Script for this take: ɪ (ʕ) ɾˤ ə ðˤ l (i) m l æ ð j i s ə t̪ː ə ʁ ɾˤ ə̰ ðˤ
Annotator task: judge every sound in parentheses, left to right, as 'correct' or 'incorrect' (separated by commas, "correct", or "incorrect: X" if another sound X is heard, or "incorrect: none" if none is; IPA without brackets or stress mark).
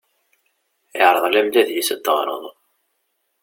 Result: correct, incorrect: æ